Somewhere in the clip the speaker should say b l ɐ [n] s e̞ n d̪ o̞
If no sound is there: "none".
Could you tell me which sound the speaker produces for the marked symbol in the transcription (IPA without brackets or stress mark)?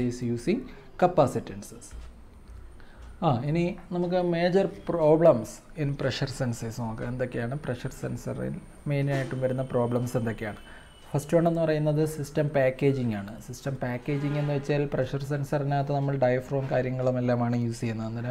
m